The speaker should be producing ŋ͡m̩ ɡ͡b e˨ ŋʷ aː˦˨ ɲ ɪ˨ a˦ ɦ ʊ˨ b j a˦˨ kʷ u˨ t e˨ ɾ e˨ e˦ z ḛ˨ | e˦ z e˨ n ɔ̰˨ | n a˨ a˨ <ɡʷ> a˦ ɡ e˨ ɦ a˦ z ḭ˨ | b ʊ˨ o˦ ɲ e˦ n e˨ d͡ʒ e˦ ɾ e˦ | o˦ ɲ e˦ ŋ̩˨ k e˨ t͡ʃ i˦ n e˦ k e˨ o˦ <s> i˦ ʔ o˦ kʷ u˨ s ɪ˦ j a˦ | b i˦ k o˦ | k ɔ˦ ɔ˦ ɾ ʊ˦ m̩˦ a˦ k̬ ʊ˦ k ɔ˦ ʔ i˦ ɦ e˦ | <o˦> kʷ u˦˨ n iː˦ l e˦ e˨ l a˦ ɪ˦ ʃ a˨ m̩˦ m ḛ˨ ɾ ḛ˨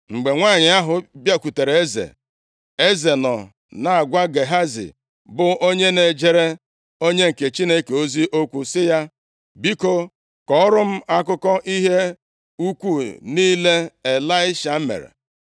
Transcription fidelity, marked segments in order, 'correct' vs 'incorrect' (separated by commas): correct, incorrect, incorrect